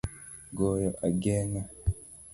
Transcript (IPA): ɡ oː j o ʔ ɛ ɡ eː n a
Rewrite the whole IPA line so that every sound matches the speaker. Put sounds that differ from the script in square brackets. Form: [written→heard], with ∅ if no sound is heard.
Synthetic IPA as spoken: ɡ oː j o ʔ [ɛ→a] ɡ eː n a